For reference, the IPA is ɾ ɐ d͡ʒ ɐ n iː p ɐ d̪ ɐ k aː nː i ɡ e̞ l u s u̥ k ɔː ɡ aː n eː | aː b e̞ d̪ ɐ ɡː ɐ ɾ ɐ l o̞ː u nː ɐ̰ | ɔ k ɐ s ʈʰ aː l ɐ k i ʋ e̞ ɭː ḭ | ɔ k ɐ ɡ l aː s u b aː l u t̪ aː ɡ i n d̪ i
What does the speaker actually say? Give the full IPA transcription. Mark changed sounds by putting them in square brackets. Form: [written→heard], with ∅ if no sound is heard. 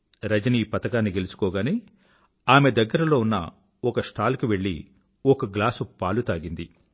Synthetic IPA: ɾ ɐ d͡ʒ ɐ n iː p ɐ [d̪→t̪] ɐ k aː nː i ɡ e̞ l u s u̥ k ɔː ɡ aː n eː | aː [b→m] e̞ d̪ ɐ ɡː ɐ ɾ ɐ l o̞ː u nː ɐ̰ | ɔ k ɐ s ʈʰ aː l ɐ k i ʋ e̞ ɭː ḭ | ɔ k ɐ ɡ l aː s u [b→p] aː l u t̪ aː ɡ i n d̪ i